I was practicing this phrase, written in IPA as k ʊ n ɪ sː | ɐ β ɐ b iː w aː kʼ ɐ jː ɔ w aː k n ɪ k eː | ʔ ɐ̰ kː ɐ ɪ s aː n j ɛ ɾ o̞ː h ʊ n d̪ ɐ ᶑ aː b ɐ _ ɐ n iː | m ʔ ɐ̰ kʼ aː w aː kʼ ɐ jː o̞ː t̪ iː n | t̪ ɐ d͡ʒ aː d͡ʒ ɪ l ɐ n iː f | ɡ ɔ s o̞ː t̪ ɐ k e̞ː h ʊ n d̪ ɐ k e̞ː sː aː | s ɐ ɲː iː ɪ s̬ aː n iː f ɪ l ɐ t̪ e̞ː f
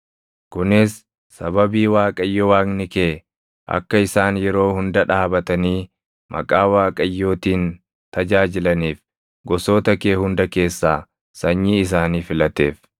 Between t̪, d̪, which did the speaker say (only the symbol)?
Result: t̪